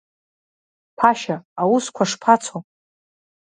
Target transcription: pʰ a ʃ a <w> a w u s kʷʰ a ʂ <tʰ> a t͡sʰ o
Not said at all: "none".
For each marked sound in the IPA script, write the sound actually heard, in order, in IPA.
none, pʰ

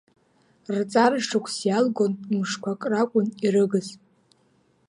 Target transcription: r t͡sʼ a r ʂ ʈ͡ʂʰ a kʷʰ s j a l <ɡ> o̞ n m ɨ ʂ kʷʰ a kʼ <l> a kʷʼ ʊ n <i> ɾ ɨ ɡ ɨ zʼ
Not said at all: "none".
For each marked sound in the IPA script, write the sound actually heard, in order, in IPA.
ɡ, r, i

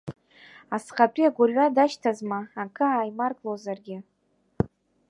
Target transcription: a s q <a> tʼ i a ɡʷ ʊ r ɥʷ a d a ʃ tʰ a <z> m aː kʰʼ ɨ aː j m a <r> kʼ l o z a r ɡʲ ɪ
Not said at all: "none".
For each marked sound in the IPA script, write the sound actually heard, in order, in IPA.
a, z, r

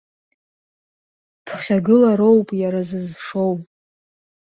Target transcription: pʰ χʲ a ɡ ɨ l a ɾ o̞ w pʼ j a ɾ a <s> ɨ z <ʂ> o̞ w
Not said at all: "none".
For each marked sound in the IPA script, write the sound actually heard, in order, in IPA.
z, ʂ

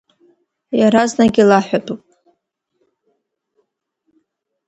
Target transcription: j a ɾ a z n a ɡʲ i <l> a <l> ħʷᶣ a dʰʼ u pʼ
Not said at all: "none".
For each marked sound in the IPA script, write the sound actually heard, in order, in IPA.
l, none

